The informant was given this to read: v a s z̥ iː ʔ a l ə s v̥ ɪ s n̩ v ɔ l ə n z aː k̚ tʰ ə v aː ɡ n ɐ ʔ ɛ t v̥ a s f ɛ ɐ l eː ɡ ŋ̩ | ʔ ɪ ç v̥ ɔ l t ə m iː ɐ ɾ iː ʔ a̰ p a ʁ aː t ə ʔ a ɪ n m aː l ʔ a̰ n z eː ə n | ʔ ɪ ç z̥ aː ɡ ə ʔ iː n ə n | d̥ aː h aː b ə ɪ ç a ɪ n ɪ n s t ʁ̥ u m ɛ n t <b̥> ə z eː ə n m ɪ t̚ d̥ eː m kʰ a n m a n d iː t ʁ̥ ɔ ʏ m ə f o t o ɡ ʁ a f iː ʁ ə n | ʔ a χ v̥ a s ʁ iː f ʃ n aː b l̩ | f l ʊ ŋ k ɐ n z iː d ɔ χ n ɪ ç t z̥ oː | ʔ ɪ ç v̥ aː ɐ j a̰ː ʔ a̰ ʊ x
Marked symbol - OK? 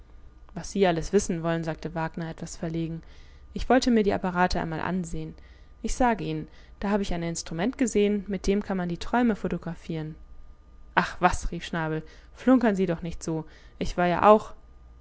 no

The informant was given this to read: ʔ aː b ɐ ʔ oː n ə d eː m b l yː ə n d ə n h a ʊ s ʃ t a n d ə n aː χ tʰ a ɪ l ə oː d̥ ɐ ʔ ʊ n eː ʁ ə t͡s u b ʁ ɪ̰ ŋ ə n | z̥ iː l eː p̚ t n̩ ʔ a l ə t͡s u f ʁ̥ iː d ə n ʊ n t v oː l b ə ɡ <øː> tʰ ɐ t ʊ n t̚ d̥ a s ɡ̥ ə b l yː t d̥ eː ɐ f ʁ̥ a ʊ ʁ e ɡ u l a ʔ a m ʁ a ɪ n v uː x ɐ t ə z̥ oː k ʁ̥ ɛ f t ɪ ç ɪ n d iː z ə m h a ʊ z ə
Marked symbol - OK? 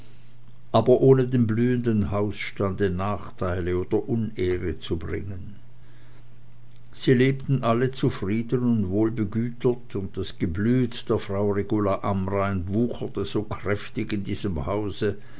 no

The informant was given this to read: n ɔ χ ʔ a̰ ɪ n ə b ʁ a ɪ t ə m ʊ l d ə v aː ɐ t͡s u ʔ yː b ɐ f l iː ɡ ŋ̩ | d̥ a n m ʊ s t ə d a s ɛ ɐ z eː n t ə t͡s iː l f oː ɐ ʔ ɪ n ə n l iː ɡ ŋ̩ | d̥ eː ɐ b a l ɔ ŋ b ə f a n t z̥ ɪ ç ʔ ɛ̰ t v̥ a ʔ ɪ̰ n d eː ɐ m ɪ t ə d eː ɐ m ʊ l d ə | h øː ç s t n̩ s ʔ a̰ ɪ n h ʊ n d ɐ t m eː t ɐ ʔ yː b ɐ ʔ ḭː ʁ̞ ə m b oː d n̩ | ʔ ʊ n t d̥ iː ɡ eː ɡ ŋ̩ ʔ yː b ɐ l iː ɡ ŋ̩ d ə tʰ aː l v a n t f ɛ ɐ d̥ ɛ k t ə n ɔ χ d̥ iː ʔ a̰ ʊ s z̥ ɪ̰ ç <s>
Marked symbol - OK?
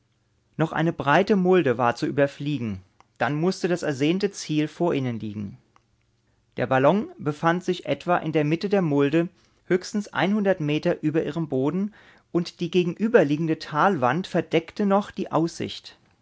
no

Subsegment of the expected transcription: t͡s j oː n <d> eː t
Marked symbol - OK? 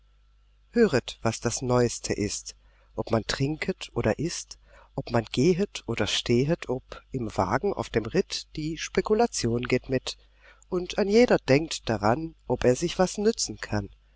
no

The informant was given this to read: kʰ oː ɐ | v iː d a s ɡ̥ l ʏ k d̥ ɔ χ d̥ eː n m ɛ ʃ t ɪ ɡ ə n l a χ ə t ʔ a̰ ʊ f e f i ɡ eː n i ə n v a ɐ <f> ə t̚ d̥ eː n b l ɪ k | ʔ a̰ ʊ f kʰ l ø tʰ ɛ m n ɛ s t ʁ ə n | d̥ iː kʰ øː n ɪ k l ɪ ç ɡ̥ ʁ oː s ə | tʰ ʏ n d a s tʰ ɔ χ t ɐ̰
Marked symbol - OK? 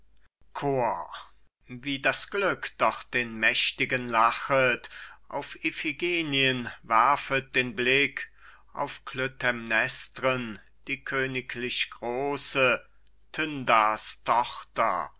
yes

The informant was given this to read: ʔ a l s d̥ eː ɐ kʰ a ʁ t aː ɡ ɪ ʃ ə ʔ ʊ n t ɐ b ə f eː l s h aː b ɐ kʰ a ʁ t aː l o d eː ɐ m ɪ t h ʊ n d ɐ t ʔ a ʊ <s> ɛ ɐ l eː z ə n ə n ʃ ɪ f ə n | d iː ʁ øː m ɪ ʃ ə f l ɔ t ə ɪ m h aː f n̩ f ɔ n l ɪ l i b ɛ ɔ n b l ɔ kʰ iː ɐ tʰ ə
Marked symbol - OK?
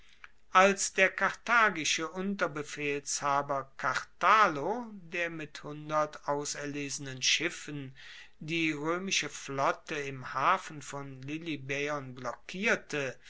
yes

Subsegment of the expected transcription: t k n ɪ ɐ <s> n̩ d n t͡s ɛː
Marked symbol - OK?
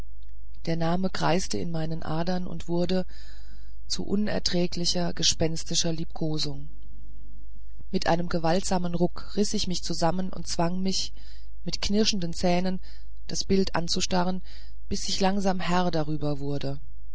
no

